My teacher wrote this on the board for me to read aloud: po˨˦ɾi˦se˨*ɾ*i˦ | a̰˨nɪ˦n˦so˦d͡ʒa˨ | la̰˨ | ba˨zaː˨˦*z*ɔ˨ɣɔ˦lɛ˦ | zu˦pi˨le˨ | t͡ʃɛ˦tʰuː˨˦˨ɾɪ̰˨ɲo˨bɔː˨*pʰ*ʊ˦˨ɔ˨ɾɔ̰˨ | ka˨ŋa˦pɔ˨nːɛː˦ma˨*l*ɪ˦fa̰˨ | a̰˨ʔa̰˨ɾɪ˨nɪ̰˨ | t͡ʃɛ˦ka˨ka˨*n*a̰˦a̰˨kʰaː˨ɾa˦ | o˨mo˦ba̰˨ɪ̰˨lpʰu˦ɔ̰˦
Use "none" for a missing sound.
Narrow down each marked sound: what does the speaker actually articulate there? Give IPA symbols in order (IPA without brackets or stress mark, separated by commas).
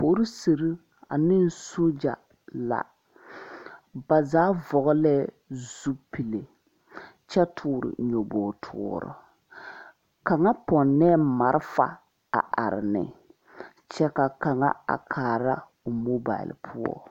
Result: ɾ, v, tʰ, ɾ, ŋ